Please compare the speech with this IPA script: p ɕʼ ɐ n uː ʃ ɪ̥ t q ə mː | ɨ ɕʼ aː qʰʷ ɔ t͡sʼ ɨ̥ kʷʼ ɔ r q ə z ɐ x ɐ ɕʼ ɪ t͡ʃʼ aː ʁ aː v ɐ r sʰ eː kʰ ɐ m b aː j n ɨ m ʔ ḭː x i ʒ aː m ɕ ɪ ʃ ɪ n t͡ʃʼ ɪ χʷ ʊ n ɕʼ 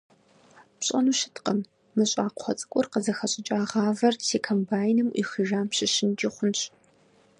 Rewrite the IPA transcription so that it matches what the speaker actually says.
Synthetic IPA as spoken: p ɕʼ ɐ n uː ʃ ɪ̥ t q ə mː | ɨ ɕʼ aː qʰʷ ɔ t͡sʼ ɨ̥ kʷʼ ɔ r q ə z ɐ x ɐ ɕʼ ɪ t͡ʃʼ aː ʁ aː v ɐ r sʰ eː kʰ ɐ m b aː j n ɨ m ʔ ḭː x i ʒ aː m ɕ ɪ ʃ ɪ n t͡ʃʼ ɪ χʷ ʊ n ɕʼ

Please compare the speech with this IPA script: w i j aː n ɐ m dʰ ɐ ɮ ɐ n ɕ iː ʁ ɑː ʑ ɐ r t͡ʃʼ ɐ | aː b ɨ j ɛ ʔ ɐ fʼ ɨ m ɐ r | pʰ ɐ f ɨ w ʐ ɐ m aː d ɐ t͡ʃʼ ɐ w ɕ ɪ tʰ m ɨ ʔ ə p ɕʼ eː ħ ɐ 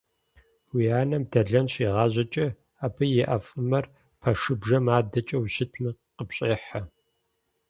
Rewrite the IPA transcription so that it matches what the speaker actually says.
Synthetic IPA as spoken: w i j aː n ɐ m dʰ ɐ ɮ ɐ n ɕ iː ʁ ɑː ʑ ɐ t͡ʃʼ ɐ | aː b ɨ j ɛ ʔ ɐ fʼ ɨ m ɐ r | pʰ ɐ ʂ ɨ b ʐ ɐ m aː d ɐ t͡ʃʼ ɐ w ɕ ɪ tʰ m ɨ q ə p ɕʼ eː ħ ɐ

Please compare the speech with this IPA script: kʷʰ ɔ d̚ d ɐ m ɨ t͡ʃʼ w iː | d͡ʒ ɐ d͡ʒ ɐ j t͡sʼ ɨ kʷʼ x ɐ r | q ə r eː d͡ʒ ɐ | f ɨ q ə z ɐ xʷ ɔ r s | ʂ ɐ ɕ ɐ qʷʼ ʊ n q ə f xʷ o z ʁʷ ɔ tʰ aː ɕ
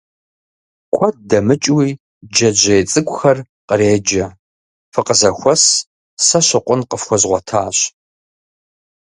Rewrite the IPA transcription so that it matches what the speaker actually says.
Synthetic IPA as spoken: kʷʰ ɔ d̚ d ɐ m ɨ t͡ʃʼ w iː | d͡ʒ ɐ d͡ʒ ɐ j t͡sʼ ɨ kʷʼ x ɐ r | q ə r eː d͡ʒ ɐ | f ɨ q ə z ɐ xʷ ɔ s | s ɐ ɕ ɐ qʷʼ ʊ n q ə f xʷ ɔ z ʁʷ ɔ tʰ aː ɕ

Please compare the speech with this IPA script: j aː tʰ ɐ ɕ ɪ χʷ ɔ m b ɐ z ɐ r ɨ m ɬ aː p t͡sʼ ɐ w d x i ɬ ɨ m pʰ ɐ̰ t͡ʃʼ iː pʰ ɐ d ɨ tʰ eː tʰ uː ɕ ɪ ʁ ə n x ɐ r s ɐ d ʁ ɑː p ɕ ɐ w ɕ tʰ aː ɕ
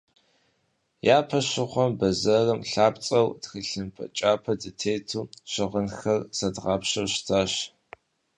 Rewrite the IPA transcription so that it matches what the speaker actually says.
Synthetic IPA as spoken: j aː pʰ ɐ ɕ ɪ χʷ ɔ m b ɐ z ɐ r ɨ m ɬ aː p t͡sʼ ɐ w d x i ɬ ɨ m pʰ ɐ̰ t͡ʃʼ aː pʰ ɐ d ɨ tʰ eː tʰ uː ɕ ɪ ʁ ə n x ɐ r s ɐ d ʁ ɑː p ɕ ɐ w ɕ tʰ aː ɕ

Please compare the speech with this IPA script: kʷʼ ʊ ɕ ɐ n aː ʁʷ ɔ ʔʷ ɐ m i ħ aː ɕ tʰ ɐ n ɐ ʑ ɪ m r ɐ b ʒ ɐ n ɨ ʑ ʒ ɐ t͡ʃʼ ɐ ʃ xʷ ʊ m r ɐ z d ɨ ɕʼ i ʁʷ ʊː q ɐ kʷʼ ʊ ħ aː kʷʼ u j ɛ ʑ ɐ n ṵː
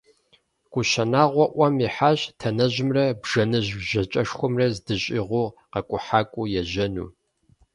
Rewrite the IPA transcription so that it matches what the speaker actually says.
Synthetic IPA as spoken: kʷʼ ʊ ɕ ɐ n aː ʁʷ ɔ ʔʷ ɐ m i ħ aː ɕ tʰ ɐ n ɐ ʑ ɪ m r ɐ b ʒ ɐ n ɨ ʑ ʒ ɐ t͡ʃʼ ɐ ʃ xʷ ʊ m r ɐ z d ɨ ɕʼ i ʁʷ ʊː q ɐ kʷʼ ʊ ħ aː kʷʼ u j ɛ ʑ ɐ n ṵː

